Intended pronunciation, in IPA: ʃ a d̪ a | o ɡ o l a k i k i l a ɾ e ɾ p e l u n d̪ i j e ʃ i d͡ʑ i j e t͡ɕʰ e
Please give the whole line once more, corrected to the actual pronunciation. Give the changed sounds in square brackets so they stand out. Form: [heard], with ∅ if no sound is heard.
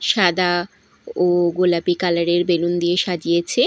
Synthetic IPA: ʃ a d̪ a | o ɡ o l a [p] i k [a] l a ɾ e ɾ [b] e l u n d̪ i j e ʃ [a] d͡ʑ i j e t͡ɕʰ e